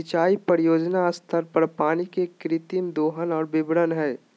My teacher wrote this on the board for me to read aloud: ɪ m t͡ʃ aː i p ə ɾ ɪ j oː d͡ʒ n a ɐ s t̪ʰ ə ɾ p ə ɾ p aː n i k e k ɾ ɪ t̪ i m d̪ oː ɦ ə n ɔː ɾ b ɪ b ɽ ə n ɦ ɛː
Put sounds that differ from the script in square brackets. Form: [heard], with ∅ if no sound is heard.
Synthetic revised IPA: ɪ [∅] t͡ʃ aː i p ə ɾ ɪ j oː d͡ʒ n a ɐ s t̪ʰ ə ɾ p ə ɾ p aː n i k e k ɾ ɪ t̪ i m d̪ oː ɦ ə n ɔː ɾ b ɪ b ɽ ə n ɦ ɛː